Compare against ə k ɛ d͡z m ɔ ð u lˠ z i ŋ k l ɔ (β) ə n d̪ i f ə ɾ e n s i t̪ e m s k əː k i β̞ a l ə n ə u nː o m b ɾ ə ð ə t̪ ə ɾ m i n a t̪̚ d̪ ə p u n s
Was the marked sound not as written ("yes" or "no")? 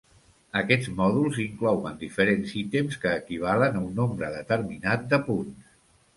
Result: yes